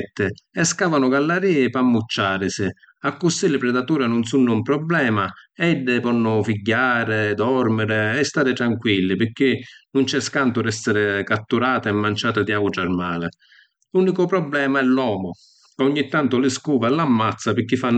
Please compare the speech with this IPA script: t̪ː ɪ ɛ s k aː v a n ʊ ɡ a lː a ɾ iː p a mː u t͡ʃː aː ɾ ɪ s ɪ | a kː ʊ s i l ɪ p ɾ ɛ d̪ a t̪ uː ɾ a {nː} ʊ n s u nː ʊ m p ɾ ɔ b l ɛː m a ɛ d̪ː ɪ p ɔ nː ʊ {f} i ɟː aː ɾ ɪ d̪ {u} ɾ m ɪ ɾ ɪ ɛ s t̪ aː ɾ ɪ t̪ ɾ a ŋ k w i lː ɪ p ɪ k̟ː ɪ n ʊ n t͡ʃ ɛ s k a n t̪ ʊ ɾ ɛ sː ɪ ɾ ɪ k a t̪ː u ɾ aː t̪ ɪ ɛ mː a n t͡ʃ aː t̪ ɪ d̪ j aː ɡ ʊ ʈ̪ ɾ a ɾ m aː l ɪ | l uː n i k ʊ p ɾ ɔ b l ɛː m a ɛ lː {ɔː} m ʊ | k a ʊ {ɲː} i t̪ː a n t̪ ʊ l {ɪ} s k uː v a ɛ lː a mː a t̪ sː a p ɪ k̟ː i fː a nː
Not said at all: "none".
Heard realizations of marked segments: n, f, ɔ, ɔː, ɲː, ɪ

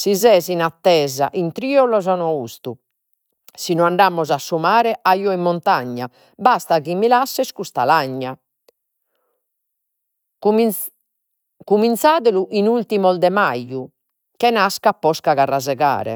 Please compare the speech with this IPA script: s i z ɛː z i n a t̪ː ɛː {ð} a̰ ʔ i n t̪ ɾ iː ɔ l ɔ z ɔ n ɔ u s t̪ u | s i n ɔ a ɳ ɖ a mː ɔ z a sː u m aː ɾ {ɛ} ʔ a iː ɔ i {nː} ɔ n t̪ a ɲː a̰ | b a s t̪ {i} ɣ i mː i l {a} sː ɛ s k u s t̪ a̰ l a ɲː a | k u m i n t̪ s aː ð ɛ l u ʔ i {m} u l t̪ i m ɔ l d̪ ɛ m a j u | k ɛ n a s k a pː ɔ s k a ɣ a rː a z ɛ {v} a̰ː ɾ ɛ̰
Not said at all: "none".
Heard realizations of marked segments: z, ɛ, mː, a, a, n, ɣ

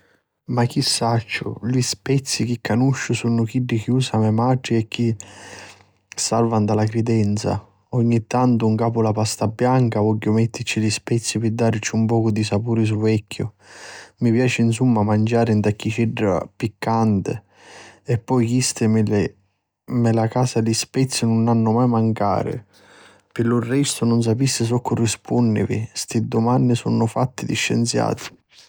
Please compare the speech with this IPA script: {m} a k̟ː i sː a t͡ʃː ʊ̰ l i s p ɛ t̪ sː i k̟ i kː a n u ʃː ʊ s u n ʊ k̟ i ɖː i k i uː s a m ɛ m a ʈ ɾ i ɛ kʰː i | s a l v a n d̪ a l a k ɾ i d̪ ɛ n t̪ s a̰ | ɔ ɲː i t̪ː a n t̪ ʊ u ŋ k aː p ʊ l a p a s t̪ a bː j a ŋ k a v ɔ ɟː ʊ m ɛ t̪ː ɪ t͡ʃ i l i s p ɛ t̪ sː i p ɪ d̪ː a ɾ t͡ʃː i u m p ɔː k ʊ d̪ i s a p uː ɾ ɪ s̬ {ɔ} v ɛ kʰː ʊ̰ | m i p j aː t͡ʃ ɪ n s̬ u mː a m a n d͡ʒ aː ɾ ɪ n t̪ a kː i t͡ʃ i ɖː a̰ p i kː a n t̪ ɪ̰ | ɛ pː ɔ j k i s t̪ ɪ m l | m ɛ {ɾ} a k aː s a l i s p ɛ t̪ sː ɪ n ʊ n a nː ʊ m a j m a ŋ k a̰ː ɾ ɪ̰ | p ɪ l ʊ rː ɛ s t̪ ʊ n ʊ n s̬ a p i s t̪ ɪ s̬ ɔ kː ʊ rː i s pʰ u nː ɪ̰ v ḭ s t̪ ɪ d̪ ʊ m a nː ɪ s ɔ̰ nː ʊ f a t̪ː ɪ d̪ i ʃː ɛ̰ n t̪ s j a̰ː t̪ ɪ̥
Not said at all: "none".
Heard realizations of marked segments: m, u, l

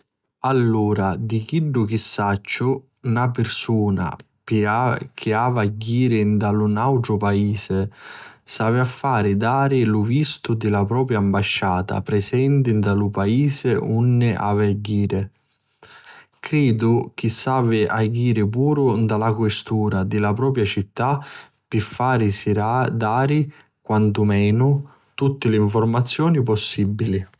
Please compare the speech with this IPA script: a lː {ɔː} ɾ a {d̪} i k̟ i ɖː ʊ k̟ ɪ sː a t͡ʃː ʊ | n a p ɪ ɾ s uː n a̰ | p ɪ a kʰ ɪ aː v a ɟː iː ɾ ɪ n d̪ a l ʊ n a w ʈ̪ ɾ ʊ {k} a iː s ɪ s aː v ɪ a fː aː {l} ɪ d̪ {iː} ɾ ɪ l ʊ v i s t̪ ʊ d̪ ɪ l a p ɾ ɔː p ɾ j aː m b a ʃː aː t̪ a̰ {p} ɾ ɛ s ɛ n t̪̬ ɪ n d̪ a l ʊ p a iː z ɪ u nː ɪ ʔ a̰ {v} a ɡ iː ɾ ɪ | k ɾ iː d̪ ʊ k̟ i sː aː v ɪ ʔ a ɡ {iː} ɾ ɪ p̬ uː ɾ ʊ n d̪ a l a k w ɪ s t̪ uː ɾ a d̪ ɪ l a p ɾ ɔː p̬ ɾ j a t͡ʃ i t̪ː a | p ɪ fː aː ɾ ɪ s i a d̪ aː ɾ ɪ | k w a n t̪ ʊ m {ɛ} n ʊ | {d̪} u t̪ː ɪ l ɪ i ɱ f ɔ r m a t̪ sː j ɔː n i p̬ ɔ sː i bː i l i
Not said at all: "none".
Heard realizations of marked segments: uː, d̪, p, ɾ, aː, p, v, iː, ɛː, t̪

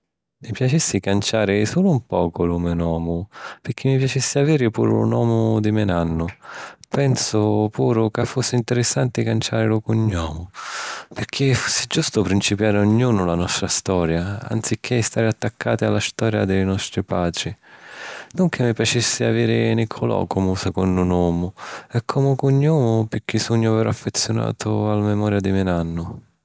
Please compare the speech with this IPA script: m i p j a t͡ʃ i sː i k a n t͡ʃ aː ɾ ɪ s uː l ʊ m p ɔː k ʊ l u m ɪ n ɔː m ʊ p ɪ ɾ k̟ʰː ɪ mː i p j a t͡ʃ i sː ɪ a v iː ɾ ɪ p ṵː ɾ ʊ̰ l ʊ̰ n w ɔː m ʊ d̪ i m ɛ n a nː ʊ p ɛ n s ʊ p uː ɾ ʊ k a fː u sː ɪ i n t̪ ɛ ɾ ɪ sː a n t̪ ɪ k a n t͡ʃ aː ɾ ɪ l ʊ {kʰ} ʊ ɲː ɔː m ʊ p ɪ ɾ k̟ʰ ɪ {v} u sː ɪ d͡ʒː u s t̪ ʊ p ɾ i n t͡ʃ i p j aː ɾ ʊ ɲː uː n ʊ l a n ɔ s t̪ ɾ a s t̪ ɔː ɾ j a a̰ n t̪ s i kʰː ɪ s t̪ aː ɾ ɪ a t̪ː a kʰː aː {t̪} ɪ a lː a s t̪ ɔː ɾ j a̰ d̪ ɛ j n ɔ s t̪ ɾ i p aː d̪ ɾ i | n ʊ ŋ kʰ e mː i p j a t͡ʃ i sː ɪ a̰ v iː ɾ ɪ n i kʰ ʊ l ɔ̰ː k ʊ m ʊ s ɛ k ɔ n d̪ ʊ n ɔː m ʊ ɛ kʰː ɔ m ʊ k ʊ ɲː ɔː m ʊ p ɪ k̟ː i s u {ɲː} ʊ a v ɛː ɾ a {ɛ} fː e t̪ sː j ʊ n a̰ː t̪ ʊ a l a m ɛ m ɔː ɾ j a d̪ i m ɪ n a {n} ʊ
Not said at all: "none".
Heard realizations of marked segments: k, f, t̪, ɲː, a, nː

